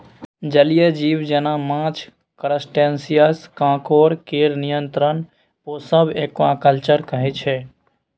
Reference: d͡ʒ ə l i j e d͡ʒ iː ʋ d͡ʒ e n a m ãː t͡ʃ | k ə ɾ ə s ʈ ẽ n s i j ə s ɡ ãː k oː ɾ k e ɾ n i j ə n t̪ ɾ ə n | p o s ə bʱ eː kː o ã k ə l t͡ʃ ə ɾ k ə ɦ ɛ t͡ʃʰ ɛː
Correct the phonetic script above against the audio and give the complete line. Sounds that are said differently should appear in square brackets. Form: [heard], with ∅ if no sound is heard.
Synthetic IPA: d͡ʒ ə l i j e d͡ʒ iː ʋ d͡ʒ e n a m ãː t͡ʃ | k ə ɾ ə s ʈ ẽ n s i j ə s [k] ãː k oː ɾ k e ɾ n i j ə n t̪ ɾ ə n | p o s ə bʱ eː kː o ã k ə l t͡ʃ ə ɾ k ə ɦ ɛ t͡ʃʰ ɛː